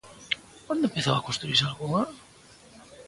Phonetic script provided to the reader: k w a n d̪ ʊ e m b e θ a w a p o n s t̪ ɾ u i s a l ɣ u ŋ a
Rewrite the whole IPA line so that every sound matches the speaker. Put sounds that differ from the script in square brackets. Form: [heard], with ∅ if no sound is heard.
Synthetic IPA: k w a n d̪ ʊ e m [p] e θ a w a [k] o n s t̪ ɾ u i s a l ɣ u ŋ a

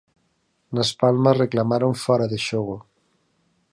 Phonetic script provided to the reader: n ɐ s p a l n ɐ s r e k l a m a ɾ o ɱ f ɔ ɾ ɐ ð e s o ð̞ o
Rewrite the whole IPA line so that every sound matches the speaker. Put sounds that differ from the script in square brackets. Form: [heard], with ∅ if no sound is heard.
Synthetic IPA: n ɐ s p a l [m] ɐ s r e k l a m a ɾ o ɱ f ɔ ɾ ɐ ð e [ʃ] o [ɣ̞] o

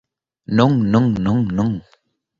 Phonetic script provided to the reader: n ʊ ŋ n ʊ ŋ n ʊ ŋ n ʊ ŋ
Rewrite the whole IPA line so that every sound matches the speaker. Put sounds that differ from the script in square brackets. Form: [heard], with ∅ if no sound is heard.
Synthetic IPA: n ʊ ŋ n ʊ ŋ n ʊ ŋ n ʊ ŋ

